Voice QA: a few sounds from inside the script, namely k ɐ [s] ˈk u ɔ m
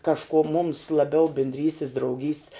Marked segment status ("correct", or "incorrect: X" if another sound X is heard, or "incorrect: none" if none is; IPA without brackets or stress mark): incorrect: ʃ